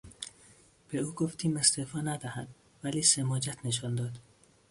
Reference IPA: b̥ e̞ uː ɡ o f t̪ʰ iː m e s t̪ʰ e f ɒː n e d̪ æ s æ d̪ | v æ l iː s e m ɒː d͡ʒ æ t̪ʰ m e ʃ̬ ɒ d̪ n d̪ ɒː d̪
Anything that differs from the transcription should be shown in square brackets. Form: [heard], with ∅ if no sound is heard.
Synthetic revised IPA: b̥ e̞ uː ɡ o f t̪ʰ iː m e s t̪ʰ e f ɒː n [æ] d̪ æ [h] æ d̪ | v æ l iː s e m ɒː d͡ʒ æ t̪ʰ [n] e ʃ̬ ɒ [∅] n d̪ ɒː d̪